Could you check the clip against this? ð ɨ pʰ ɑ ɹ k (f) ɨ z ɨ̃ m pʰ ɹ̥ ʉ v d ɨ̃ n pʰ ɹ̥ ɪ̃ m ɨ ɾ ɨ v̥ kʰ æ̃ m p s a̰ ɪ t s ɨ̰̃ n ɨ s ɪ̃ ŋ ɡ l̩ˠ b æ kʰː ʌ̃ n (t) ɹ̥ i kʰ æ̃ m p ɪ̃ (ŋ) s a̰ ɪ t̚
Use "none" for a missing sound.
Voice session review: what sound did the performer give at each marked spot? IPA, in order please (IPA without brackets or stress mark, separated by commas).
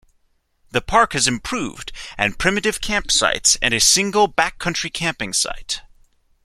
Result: h, t͡ʃ, ŋ